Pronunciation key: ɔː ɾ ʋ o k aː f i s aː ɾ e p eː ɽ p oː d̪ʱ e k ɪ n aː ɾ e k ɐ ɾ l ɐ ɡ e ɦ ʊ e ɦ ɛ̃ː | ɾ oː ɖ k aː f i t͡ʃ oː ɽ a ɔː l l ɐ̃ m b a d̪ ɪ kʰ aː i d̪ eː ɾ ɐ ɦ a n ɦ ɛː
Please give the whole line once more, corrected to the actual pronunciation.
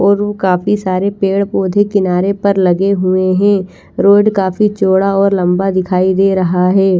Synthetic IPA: ɔː ɾ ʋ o k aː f i s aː ɾ e p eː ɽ p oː d̪ʱ e k ɪ n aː ɾ e p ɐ ɾ l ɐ ɡ e ɦ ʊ e ɦ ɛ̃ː | ɾ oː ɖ k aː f i t͡ʃ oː ɽ a ɔː ɾ l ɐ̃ m b a d̪ ɪ kʰ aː i d̪ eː ɾ ɐ ɦ a ɦ ɛː

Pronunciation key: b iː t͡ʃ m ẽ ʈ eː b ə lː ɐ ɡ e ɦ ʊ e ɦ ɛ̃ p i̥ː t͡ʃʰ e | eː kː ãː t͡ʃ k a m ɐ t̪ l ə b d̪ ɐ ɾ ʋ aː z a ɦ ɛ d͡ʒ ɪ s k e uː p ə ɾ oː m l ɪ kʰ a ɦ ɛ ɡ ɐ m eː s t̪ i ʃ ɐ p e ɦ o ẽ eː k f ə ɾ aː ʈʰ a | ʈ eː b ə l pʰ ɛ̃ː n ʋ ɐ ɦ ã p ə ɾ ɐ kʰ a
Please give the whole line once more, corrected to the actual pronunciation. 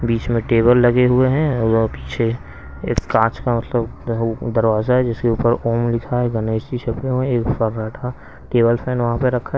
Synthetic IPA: b iː t͡ʃ m ẽ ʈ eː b ə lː ɐ ɡ e ɦ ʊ e ɦ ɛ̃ p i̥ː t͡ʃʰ e | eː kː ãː t͡ʃ k a m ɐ t̪ l ə b d̪ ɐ ɾ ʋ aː z a ɦ ɛ d͡ʒ ɪ s k e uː p ə ɾ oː m l ɪ kʰ a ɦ ɛ ɡ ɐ n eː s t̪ i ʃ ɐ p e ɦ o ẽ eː k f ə ɾ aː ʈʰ a | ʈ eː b ə l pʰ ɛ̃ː n ʋ ɐ ɦ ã p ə ɾ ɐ kʰ a

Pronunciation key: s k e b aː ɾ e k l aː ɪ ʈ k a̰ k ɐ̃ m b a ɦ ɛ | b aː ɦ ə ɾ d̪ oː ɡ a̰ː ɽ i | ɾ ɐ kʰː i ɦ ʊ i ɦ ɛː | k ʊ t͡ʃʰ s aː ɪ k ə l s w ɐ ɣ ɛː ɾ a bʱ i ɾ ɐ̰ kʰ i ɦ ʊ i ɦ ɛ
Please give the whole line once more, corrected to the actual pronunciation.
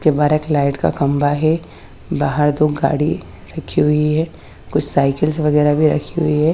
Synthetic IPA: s k e b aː ɾ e k l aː ɪ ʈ k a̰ k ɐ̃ m b a ɦ ɛ | b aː ɦ ə ɾ d̪ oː ɡ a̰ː ɽ i | ɾ ɐ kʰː i ɦ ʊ i ɦ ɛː | k ʊ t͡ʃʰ s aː ɪ k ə l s ʋ ɐ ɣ ɛː ɾ a bʱ i ɾ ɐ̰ kʰ i ɦ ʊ i ɦ ɛ

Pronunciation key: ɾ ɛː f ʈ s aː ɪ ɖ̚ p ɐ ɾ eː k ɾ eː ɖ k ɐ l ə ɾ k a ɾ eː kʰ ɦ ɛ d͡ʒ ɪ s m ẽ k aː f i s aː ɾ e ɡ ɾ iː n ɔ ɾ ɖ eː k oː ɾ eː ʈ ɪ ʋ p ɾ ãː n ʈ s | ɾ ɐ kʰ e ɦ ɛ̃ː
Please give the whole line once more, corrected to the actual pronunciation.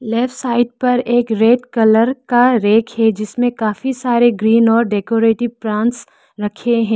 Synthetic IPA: l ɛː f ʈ s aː ɪ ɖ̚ p ɐ ɾ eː k ɾ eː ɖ k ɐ l ə ɾ k a ɾ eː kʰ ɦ ɛ d͡ʒ ɪ s m ẽ k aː f i s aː ɾ e ɡ ɾ iː n ɔː ɾ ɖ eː k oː ɾ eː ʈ ɪ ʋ p ɾ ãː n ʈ s | ɾ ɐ kʰ e ɦ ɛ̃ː

